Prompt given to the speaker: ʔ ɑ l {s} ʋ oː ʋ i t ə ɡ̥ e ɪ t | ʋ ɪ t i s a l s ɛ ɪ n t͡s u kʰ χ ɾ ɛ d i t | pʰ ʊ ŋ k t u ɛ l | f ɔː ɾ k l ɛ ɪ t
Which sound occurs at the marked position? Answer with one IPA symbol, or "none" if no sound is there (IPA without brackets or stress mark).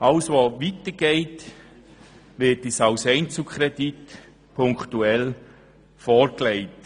s